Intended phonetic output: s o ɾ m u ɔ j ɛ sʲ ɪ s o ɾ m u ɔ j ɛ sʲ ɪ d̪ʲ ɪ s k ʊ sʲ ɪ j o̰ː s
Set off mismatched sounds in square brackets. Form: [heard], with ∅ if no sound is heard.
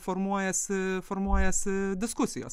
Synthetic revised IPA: [f] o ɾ m u ɔ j ɛ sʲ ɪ [f] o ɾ m u ɔ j ɛ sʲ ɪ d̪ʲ ɪ s k ʊ sʲ ɪ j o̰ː s